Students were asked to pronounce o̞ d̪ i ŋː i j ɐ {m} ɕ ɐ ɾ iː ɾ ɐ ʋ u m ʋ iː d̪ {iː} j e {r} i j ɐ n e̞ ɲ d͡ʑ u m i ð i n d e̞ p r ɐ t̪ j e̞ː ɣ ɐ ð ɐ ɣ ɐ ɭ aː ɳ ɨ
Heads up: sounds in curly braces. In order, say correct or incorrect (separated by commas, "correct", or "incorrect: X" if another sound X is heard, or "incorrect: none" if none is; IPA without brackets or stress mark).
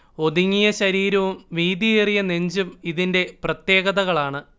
incorrect: none, incorrect: i, correct